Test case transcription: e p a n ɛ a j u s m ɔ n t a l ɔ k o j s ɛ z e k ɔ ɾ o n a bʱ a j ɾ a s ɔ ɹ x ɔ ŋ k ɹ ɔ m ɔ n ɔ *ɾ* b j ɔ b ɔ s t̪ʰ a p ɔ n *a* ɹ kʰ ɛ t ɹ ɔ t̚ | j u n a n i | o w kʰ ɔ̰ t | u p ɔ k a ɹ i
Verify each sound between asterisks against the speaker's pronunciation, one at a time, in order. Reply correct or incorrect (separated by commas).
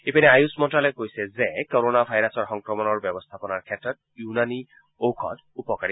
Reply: incorrect, correct